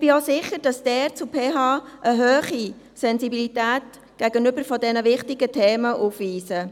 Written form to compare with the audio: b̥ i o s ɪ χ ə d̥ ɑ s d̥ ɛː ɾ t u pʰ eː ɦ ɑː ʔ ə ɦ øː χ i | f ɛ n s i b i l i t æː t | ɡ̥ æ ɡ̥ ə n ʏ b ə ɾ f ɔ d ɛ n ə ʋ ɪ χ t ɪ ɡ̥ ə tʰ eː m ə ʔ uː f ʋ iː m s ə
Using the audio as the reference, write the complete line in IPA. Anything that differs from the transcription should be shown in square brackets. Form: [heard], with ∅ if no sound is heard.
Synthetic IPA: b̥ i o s ɪ χ ə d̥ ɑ s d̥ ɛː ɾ [t͡s] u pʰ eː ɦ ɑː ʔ ə ɦ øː χ i | [s] ɛ n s i b i l i t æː t | ɡ̥ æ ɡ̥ ə n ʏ b ə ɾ f ɔ d ɛ n ə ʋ ɪ χ t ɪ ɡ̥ ə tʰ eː m ə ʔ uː f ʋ iː [∅] s ə